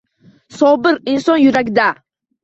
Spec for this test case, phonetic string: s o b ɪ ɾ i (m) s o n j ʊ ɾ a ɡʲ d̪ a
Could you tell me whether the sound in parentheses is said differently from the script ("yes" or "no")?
yes